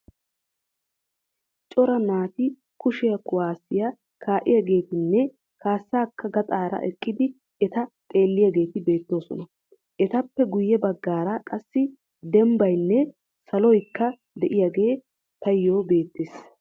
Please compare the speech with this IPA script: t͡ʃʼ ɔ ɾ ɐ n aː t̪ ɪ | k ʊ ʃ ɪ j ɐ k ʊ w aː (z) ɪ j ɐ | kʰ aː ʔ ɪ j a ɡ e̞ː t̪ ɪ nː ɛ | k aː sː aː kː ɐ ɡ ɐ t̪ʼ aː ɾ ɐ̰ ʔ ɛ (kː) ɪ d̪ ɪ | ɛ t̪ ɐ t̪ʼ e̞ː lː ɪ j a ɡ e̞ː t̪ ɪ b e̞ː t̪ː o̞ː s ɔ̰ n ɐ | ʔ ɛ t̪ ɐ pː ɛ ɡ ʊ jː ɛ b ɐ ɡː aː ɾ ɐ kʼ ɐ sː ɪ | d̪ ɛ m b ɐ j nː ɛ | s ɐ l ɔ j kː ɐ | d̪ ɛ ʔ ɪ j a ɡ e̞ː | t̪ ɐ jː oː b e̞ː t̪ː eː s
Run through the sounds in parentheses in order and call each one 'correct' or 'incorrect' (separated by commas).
incorrect, incorrect